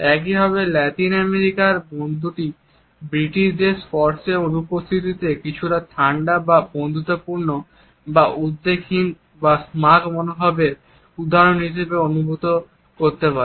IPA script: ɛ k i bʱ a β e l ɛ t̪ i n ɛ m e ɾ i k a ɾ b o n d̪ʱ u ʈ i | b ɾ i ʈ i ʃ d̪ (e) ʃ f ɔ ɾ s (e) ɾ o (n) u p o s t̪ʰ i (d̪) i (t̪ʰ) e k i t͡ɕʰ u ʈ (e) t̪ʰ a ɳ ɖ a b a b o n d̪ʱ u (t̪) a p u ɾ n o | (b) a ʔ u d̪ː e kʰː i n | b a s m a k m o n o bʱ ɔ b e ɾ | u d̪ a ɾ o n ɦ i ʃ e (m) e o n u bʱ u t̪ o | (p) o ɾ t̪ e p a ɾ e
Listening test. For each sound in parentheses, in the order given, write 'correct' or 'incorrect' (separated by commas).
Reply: correct, correct, correct, incorrect, incorrect, incorrect, correct, correct, incorrect, incorrect